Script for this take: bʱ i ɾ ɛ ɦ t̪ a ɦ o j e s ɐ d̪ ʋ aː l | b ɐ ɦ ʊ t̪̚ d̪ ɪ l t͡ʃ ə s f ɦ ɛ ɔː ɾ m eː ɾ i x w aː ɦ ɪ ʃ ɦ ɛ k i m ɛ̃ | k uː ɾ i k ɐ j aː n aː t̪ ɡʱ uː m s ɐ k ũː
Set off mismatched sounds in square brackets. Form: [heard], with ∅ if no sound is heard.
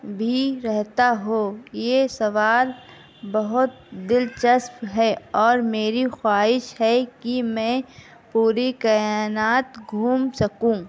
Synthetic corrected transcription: bʱ i ɾ ɛ ɦ t̪ a ɦ o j e s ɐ [∅] ʋ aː l | b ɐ ɦ ʊ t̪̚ d̪ ɪ l t͡ʃ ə s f ɦ ɛ ɔː ɾ m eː ɾ i x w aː ɦ ɪ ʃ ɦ ɛ k i m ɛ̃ | [p] uː ɾ i k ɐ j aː n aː t̪ ɡʱ uː m s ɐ k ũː